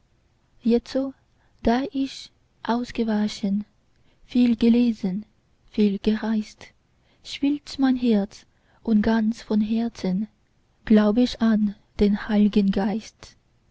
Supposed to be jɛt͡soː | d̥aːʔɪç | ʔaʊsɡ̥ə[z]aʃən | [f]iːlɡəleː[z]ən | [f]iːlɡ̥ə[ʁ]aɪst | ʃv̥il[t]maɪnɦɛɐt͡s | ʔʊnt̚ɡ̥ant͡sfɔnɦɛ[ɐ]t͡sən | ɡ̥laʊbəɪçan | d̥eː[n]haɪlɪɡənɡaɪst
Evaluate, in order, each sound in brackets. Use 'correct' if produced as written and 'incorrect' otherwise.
incorrect: v, correct, correct, correct, correct, correct, correct, correct

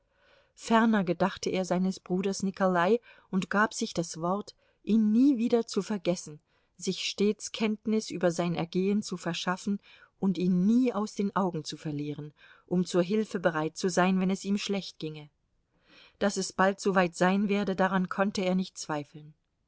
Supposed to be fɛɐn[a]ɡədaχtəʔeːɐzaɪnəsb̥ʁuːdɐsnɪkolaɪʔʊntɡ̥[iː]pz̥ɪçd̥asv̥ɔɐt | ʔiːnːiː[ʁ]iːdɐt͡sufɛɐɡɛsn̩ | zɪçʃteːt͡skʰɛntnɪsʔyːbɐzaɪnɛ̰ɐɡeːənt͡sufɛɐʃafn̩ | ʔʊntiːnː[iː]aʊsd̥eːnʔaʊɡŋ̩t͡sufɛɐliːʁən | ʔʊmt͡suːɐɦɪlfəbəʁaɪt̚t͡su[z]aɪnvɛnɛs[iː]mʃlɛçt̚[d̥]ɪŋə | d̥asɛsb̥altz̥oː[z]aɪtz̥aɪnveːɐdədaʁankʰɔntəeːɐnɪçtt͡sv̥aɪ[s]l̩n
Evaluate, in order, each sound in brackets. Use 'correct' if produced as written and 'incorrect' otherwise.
incorrect: ɐ, incorrect: aː, incorrect: v, correct, correct, correct, incorrect: ɡ̥, incorrect: v, incorrect: f

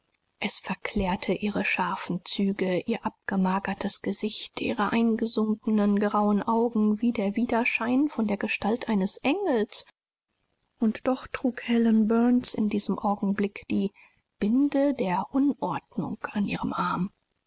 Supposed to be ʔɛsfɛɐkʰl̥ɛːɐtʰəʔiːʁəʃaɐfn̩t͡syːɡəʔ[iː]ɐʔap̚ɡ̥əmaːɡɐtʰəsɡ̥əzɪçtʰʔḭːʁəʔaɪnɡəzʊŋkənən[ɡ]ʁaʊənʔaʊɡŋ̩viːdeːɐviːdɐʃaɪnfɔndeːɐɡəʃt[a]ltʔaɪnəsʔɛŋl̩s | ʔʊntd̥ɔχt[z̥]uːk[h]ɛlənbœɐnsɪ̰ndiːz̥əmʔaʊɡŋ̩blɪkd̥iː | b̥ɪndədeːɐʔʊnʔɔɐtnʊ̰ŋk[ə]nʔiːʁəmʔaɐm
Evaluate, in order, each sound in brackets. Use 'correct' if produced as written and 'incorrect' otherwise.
correct, correct, correct, incorrect: ʁ̥, correct, incorrect: a

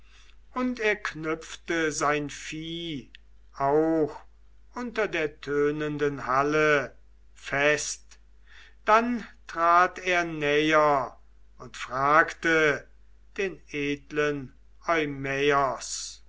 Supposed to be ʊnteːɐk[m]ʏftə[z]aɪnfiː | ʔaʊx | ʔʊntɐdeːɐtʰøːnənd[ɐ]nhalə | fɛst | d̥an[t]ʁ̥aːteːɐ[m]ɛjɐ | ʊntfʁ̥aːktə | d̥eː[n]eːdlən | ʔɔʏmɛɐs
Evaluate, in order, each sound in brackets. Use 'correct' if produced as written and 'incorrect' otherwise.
incorrect: n, correct, incorrect: ə, correct, incorrect: n, correct

